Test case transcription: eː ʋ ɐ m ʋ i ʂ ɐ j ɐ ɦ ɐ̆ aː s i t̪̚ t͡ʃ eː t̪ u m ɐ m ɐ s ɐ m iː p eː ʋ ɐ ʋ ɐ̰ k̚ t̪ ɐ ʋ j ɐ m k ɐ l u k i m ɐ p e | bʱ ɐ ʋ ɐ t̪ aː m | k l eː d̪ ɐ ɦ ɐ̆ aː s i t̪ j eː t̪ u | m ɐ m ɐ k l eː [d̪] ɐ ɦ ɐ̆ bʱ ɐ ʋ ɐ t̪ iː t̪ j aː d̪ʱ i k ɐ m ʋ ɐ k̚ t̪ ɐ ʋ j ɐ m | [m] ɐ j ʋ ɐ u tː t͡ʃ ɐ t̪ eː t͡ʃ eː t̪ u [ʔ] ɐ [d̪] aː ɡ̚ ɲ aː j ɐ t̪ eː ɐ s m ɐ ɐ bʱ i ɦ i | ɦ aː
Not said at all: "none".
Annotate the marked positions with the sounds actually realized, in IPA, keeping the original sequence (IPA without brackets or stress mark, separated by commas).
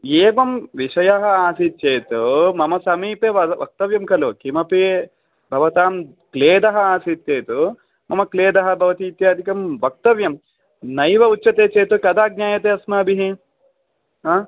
d̪, n, k, d̪